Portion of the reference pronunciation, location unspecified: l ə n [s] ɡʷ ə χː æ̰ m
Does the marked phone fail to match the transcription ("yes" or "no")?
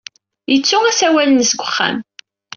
no